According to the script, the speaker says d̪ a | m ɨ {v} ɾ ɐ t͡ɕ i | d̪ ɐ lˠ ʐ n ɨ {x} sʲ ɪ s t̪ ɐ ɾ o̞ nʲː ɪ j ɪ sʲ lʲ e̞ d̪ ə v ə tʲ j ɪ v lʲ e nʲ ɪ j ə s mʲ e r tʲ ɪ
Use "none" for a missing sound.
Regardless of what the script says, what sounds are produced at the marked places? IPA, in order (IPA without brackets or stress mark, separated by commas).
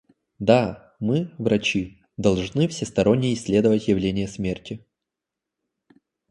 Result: v, f